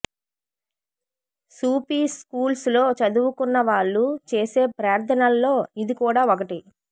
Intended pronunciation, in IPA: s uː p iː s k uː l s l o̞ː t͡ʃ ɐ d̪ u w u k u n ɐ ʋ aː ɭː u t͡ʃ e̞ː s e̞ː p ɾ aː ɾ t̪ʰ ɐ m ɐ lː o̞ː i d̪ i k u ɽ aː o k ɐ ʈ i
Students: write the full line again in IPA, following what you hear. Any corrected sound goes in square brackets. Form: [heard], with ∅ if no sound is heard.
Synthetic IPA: s uː p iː s k uː l s l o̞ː t͡ʃ ɐ d̪ u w u k u [nː] ɐ ʋ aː ɭː u t͡ʃ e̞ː s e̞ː p ɾ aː ɾ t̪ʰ ɐ [n] ɐ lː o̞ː i d̪ i k [uː] ɽ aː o k ɐ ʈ i